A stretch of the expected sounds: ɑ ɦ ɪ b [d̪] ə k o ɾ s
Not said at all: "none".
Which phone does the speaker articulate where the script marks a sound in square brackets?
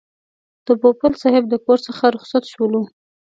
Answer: d̪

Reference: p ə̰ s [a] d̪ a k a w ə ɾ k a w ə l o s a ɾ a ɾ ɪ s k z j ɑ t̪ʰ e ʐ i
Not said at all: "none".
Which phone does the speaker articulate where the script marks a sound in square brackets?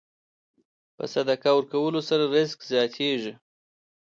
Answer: a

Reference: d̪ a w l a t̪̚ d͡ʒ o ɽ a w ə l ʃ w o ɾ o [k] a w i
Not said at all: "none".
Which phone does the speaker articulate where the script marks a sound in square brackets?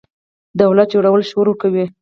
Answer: k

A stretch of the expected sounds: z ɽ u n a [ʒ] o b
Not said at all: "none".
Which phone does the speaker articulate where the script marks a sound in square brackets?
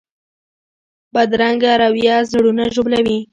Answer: ʒ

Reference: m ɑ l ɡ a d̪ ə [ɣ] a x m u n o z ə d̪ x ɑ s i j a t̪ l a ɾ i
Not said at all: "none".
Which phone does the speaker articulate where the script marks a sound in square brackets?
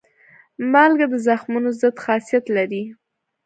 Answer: z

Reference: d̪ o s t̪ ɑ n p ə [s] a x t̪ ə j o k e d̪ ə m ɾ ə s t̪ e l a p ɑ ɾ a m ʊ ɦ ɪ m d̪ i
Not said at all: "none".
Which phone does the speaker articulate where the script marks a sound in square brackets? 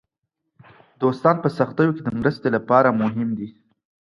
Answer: s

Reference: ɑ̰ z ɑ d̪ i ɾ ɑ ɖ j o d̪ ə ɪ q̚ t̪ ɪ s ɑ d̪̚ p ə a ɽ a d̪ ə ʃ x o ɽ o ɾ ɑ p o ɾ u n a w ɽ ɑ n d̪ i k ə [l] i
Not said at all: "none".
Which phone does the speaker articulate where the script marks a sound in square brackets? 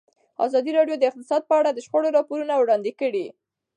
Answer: ɽ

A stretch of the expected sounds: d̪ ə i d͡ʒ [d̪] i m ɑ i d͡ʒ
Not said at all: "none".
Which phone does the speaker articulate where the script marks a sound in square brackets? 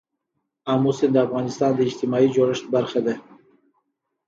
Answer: t̪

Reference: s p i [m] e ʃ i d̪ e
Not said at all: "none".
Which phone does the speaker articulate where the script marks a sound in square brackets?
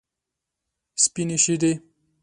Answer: n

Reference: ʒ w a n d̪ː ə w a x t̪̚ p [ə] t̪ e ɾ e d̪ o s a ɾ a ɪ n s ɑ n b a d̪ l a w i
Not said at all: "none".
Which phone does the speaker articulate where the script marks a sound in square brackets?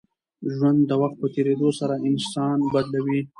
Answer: ə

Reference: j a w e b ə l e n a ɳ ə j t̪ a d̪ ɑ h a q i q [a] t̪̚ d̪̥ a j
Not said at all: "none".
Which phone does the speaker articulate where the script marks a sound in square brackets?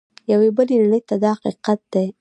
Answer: a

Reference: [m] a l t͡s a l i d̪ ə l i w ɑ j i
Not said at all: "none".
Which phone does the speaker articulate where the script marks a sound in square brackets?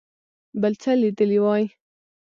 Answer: b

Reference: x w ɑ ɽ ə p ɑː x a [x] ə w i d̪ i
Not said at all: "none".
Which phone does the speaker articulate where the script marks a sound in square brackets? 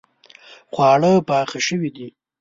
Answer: ʃ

